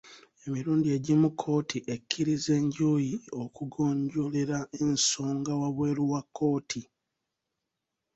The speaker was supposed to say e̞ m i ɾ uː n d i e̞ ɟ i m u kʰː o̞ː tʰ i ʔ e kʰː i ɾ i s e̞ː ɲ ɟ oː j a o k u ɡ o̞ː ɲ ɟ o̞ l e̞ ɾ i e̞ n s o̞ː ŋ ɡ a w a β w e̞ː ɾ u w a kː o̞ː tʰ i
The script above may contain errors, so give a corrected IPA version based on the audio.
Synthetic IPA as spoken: e̞ m i ɾ uː n d i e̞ ɟ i m u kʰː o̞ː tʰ i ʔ e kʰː i ɾ i z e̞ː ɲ ɟ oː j i o k u ɡ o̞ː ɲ ɟ o̞ l e̞ ɾ a e̞ n s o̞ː ŋ ɡ a w a β w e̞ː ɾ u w a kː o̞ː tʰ i